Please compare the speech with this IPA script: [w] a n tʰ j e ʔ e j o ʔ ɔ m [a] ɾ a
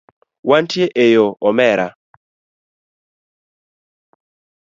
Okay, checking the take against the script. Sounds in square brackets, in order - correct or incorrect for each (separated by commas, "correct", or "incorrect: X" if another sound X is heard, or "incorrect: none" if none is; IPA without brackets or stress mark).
correct, incorrect: ɛ